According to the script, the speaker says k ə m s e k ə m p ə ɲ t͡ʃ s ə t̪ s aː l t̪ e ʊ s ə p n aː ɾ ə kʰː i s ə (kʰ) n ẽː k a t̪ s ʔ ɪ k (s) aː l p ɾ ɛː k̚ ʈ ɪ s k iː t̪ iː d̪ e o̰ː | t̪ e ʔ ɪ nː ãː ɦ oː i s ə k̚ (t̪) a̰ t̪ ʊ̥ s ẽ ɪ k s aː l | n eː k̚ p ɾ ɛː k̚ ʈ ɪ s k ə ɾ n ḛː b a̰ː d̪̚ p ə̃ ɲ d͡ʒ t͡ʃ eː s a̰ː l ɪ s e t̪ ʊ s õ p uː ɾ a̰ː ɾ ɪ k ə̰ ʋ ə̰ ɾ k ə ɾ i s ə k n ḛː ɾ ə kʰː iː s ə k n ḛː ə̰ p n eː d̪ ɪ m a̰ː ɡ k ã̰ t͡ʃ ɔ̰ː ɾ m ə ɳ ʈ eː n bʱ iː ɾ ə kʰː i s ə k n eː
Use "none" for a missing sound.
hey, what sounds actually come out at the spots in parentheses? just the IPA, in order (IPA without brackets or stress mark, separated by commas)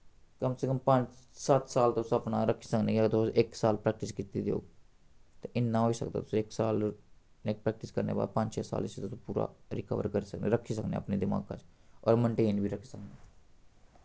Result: k, s, d̪